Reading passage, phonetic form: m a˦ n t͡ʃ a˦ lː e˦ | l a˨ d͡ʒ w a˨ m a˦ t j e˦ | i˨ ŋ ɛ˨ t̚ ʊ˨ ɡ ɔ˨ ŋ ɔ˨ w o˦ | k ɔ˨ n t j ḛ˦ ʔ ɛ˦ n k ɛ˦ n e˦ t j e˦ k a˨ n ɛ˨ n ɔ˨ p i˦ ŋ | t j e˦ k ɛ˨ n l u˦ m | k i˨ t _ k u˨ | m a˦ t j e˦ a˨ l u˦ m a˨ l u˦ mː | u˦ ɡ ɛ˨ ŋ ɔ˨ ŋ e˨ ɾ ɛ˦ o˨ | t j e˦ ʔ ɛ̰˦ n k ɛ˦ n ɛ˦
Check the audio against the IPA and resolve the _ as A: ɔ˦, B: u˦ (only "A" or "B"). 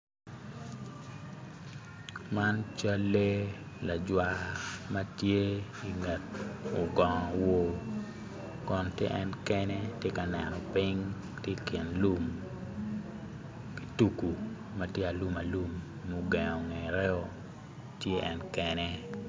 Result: B